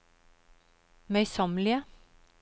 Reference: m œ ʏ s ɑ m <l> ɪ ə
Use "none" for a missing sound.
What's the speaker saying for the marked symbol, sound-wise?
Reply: l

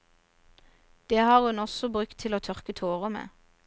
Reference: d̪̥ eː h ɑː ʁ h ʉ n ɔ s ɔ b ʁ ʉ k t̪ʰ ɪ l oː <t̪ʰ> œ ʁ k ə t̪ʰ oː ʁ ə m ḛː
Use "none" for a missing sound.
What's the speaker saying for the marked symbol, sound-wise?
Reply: t̪ʰ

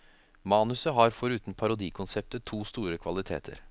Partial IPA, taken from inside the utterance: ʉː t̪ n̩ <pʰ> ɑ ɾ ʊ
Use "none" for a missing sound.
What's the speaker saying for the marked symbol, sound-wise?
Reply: pʰ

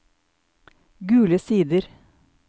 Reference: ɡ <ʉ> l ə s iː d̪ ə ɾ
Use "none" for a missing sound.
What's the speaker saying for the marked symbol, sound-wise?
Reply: ʉː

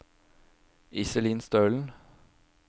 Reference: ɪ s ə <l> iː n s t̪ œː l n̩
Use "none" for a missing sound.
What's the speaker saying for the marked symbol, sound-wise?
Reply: l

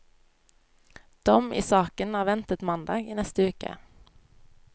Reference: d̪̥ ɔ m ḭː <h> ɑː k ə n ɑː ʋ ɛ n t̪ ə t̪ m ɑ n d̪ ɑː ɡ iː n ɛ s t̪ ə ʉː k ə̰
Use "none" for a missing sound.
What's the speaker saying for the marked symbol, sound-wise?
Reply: s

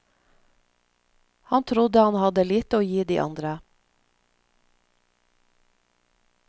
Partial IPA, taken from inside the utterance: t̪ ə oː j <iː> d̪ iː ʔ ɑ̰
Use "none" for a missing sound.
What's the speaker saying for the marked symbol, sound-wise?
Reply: iː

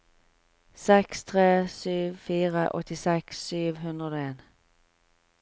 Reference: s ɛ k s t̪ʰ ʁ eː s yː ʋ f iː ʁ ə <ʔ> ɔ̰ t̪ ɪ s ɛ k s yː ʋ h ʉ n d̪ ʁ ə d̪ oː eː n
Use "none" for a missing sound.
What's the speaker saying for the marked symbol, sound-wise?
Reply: ʔ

